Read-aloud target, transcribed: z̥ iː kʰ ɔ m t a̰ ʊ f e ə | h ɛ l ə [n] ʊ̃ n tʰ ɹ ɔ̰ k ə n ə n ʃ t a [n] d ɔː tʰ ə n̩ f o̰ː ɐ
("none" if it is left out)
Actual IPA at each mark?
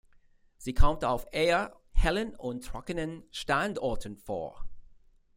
n, n

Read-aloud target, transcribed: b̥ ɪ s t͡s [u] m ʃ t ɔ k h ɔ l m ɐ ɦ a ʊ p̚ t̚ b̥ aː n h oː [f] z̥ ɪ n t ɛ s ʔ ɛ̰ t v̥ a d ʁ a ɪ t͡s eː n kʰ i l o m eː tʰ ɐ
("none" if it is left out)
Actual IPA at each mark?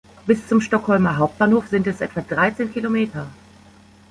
ʊ, f

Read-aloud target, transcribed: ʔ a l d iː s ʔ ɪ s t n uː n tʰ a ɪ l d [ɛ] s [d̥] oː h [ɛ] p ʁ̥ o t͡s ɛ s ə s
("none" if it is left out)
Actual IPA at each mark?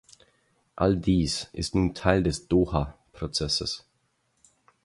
ɛ, d̥, a

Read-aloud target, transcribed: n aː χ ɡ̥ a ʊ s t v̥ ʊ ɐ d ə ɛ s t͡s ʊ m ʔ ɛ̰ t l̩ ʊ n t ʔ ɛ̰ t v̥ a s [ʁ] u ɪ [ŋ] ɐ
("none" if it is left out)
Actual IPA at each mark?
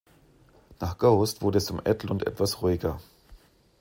ʁ, ɡ

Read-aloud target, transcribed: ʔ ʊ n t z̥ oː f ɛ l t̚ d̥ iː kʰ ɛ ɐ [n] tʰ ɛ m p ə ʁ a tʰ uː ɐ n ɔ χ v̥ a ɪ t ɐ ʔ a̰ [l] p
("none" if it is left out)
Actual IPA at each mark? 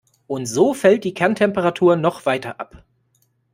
n, none

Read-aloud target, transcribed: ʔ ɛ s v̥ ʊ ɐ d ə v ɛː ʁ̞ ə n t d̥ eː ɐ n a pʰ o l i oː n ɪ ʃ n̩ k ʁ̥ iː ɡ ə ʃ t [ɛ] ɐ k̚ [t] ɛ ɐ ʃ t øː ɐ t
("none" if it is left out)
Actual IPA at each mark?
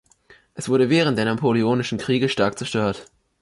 a, t͡s

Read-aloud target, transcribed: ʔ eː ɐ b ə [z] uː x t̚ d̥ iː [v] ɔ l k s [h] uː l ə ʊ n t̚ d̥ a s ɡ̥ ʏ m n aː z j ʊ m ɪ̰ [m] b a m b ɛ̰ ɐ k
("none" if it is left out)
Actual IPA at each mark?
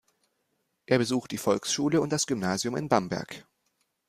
z, f, ʃ, n

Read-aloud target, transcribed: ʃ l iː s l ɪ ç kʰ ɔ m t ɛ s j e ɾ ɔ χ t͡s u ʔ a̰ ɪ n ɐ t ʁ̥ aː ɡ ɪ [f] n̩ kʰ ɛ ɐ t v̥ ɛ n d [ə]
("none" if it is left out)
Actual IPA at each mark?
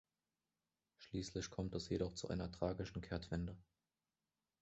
ʃ, ə

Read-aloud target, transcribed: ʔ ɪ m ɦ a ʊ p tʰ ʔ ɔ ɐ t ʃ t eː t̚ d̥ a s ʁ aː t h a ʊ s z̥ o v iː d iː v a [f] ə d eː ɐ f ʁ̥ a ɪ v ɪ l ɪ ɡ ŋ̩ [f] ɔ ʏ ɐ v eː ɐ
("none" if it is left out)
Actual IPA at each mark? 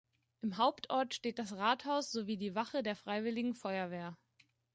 χ, f

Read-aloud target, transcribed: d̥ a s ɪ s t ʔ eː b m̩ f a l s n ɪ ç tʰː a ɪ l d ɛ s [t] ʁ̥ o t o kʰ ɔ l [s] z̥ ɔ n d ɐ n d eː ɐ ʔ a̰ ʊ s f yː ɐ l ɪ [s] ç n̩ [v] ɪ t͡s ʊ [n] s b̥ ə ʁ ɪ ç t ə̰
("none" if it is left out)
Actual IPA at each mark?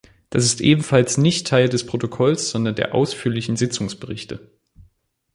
p, s, none, z, ŋ

